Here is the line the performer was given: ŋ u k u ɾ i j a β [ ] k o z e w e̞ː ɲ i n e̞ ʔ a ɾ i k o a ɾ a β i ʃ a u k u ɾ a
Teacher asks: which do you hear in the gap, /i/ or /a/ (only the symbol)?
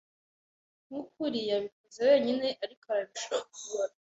i